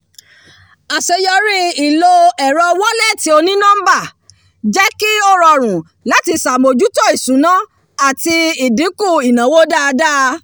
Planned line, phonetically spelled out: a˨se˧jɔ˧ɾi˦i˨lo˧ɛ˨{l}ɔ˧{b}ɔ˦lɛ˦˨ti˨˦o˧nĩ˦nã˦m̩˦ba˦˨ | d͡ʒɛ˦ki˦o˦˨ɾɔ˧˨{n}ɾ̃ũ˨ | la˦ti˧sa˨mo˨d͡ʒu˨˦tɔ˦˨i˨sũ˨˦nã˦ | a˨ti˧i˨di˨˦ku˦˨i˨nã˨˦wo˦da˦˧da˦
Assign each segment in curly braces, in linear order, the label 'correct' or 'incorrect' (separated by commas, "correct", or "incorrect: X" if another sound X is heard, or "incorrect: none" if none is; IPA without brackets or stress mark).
incorrect: ɾ, incorrect: w, incorrect: none